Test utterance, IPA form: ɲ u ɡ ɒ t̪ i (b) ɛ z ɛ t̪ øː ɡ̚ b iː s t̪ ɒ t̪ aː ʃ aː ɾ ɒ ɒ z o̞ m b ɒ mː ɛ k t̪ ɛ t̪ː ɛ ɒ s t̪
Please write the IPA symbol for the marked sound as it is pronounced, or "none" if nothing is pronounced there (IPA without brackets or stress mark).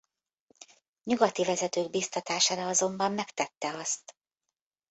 v